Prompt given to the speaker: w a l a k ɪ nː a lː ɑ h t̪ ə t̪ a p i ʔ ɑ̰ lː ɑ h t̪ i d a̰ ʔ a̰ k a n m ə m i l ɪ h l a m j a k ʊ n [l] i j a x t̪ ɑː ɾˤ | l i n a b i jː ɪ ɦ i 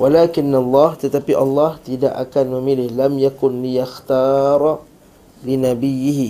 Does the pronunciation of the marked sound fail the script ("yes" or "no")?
no